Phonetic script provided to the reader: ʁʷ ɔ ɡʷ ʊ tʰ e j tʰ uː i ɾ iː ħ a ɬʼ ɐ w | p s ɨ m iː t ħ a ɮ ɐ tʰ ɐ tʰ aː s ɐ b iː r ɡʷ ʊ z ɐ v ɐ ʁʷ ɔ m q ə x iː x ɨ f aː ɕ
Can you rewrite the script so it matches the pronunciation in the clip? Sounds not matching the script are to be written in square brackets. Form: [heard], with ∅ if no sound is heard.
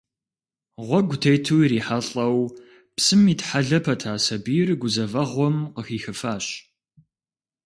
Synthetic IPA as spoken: ʁʷ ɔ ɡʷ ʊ tʰ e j tʰ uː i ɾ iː ħ a ɬʼ ɐ w | p s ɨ m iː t ħ a ɮ ɐ [pʰ] ɐ tʰ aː s ɐ b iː r ɡʷ ʊ z ɐ v ɐ ʁʷ ɔ m q ə x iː x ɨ f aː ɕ